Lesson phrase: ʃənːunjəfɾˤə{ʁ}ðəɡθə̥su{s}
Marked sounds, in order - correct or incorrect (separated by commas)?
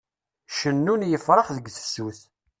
incorrect, incorrect